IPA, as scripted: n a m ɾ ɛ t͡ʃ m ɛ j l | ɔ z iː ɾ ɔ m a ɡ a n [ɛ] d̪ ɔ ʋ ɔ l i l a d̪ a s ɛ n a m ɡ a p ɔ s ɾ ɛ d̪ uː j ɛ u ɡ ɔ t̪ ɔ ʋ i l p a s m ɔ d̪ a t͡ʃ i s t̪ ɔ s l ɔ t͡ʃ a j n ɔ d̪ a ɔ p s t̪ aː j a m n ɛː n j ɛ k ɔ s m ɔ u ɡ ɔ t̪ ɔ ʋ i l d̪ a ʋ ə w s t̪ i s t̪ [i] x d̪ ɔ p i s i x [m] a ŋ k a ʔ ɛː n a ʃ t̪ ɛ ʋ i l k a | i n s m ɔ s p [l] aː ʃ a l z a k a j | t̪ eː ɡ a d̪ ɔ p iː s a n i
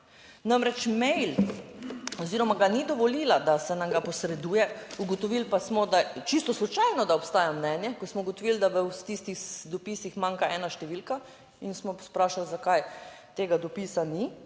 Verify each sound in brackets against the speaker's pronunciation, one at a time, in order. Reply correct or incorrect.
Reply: incorrect: i, correct, correct, incorrect: ɾ

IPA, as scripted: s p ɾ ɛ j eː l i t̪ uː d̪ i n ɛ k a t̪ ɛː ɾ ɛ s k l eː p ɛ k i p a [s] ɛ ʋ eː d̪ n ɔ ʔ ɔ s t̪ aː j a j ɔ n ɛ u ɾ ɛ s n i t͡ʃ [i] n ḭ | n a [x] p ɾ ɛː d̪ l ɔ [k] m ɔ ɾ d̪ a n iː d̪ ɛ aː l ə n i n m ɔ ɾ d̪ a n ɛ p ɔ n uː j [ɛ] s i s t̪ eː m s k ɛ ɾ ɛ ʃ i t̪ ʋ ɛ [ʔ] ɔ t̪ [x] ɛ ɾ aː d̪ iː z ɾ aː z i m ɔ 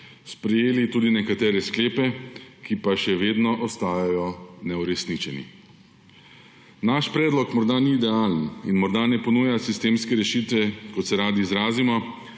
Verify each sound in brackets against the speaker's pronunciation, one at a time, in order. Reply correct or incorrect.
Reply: incorrect: ʃ, incorrect: ɛ, incorrect: ʃ, correct, incorrect: a, incorrect: k, incorrect: s

